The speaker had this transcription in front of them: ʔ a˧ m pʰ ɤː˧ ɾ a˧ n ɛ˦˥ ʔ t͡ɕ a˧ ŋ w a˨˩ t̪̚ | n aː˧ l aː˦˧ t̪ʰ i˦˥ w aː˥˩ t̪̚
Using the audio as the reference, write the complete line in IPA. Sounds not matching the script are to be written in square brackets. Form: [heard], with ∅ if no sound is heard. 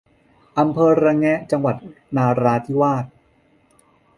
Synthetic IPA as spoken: ʔ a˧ m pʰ ɤː˧ ɾ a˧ [ŋ] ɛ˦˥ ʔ t͡ɕ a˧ ŋ w a˨˩ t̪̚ | n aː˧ [ɾ] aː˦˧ t̪ʰ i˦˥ w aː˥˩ t̪̚